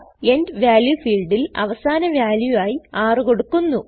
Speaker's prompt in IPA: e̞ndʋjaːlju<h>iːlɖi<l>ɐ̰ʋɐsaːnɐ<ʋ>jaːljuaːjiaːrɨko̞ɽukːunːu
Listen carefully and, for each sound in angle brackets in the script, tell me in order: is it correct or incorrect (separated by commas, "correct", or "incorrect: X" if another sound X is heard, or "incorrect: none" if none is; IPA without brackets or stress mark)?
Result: incorrect: f, correct, correct